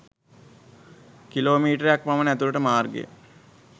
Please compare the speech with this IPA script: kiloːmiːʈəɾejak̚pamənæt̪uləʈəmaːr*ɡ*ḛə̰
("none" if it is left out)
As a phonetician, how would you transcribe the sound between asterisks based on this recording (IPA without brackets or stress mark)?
ɡ